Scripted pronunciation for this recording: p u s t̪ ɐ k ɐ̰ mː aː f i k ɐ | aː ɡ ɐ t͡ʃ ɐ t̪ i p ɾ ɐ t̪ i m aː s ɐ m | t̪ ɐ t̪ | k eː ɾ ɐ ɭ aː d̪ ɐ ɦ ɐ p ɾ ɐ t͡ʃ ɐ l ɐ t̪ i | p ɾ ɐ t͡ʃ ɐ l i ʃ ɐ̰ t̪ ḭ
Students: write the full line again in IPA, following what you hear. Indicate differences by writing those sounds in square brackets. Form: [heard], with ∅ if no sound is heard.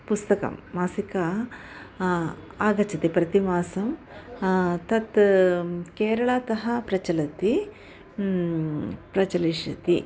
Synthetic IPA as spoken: p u s t̪ ɐ k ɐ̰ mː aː [s] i k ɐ | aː ɡ ɐ t͡ʃ ɐ t̪ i p ɾ ɐ t̪ i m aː s ɐ m | t̪ ɐ t̪ | k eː ɾ ɐ ɭ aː [t̪] ɐ ɦ ɐ p ɾ ɐ t͡ʃ ɐ l ɐ t̪ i | p ɾ ɐ t͡ʃ ɐ l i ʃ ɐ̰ t̪ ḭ